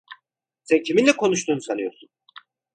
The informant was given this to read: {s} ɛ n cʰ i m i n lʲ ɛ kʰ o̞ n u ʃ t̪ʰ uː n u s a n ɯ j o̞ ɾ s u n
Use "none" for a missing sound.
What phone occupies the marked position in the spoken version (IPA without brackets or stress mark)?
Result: s